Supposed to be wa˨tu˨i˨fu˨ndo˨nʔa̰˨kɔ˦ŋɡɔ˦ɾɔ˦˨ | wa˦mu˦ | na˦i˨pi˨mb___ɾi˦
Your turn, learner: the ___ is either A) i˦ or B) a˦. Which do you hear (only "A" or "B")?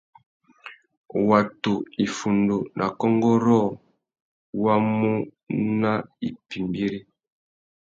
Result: A